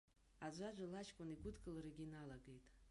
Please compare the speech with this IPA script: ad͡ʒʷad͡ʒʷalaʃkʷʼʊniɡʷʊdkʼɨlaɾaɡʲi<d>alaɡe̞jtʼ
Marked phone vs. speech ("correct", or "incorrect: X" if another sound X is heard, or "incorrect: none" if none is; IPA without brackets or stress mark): incorrect: n